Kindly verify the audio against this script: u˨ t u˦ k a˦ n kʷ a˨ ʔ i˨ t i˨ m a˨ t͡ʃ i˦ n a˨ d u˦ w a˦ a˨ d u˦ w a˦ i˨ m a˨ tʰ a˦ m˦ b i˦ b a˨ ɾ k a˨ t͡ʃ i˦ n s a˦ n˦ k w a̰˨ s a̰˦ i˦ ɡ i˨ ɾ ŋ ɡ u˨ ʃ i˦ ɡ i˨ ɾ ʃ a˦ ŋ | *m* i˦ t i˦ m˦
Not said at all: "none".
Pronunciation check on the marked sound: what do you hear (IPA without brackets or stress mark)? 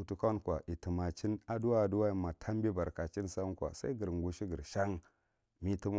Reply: m